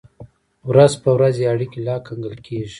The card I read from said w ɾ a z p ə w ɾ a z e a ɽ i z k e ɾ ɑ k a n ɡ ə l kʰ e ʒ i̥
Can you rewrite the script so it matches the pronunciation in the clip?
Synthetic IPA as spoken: w ɾ a z p ə w ɾ a z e a ɽ i k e l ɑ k a ŋ ɡ ə l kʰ e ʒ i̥